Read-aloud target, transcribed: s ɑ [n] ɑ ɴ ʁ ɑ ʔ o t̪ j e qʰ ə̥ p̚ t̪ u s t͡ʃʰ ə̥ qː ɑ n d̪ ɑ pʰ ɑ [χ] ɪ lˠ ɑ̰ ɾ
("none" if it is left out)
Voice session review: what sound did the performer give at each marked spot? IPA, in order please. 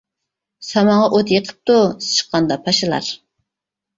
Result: m, ʃ

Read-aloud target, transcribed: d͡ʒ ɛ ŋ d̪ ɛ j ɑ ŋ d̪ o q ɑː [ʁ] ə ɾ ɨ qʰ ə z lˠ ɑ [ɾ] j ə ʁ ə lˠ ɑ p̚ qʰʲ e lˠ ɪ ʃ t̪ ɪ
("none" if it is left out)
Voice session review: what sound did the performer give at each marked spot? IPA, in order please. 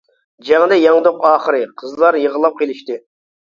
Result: χ, ɾ

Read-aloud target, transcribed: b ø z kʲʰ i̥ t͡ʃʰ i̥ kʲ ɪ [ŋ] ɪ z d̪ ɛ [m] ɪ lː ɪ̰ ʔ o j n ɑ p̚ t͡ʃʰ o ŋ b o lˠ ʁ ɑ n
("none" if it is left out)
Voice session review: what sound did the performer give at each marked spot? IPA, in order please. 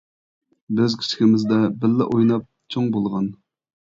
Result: m, b

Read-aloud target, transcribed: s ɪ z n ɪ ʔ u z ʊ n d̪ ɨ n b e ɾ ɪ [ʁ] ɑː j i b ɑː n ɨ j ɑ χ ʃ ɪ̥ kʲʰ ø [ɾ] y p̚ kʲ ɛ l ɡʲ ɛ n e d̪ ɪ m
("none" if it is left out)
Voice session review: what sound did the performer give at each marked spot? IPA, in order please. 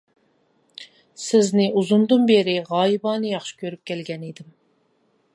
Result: ʁ, ɾ

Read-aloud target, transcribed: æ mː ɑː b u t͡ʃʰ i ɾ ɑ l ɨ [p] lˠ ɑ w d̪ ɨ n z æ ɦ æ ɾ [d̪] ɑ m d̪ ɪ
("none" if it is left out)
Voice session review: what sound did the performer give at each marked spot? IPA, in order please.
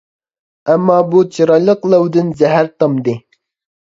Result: q, t̪

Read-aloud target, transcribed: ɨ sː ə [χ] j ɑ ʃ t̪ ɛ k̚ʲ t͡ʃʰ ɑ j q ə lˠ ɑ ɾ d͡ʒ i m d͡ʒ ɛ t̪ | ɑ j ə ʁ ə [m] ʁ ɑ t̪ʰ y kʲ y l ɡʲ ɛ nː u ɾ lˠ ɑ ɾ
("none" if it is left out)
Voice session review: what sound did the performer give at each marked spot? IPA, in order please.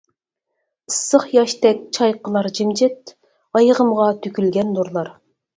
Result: χ, m

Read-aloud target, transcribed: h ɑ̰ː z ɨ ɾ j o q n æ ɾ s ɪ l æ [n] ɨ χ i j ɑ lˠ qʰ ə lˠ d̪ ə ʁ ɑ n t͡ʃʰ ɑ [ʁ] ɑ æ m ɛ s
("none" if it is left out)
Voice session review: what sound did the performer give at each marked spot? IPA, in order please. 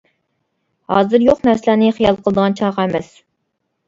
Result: n, ʁ

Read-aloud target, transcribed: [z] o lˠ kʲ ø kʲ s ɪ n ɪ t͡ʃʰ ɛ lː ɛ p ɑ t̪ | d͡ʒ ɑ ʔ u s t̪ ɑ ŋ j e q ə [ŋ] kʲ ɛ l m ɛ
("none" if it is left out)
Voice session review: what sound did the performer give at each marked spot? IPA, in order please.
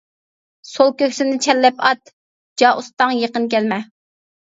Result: s, n

